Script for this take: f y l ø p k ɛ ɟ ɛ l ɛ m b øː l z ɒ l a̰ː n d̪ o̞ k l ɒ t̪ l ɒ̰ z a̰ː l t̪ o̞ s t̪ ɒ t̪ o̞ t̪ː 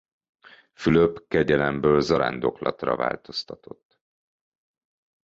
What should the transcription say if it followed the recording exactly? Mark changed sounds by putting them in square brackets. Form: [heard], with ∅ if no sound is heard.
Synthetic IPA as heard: f y l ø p k ɛ ɟ ɛ l ɛ m b øː l z ɒ [ɾ] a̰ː n d̪ o̞ k l ɒ t̪ [r] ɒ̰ [v] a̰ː l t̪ o̞ s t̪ ɒ t̪ o̞ t̪ː